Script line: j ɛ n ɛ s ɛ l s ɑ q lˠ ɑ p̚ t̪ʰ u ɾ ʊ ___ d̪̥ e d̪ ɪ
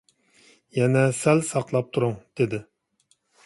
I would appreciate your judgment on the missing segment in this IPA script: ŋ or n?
ŋ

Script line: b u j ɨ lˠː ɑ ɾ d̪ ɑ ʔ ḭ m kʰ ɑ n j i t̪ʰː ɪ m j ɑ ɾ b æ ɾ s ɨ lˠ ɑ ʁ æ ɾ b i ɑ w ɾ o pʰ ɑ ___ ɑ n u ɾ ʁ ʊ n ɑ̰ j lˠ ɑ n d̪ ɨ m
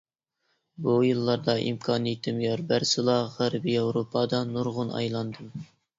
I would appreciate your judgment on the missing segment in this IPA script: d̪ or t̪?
d̪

